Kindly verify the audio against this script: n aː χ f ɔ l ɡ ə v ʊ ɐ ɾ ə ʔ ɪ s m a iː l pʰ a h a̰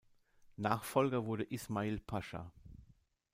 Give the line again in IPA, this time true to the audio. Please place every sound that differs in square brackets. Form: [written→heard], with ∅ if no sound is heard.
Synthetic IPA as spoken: n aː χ f ɔ l ɡ [ə→ɐ] v ʊ ɐ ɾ ə ʔ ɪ s m a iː l pʰ a [h→ʃ] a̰